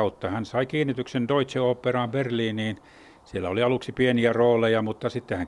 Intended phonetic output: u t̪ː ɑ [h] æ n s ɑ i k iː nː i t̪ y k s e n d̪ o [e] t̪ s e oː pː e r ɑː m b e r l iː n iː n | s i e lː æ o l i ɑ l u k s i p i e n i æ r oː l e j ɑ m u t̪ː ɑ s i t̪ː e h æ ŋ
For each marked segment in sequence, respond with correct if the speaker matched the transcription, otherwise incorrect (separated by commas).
correct, incorrect